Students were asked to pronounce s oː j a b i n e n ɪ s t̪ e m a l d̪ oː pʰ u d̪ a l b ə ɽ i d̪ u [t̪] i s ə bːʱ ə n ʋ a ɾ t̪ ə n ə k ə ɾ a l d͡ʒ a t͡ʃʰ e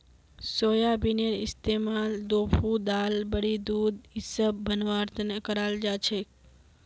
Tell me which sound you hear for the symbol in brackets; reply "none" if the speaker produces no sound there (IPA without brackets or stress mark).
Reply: d̪